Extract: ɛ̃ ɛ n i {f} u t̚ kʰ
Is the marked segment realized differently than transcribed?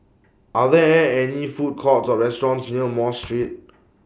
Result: no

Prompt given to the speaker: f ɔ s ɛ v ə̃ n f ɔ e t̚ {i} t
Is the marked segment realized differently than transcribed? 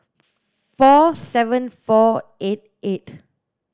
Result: yes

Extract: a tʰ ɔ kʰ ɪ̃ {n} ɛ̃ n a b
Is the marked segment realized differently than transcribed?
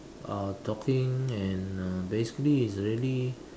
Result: yes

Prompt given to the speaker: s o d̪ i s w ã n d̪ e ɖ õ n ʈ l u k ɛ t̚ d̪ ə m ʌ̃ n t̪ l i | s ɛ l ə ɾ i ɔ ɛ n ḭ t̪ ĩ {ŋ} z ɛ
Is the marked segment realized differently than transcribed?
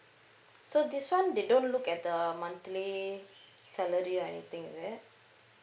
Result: no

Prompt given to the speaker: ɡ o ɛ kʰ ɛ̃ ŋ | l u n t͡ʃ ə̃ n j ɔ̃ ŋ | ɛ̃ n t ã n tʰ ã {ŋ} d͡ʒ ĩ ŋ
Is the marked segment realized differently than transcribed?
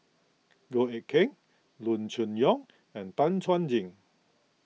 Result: yes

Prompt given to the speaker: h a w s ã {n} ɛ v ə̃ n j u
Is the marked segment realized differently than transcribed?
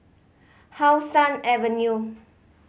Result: no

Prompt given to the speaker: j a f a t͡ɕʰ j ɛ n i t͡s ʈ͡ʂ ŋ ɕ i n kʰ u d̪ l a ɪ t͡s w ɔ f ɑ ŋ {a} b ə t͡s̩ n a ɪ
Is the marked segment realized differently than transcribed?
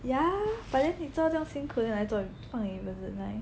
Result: yes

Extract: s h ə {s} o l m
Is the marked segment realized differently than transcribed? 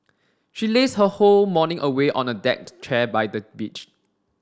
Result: yes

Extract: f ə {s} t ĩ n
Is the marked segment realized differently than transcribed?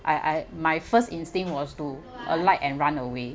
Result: no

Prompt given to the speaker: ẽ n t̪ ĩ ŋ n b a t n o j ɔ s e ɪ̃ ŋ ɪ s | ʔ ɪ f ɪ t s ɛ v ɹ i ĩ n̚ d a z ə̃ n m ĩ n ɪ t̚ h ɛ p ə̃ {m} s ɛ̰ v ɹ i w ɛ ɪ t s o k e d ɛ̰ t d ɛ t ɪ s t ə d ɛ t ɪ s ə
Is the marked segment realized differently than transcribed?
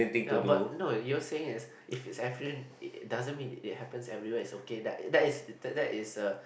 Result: yes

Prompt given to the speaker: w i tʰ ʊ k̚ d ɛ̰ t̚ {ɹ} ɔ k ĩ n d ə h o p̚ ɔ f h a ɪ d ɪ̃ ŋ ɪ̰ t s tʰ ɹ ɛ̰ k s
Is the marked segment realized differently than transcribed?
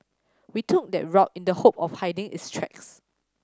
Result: no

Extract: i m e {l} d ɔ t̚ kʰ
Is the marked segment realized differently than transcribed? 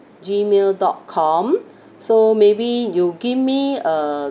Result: no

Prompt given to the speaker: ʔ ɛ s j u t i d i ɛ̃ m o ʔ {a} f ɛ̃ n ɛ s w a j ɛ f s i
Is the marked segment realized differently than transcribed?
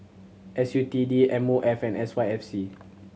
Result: yes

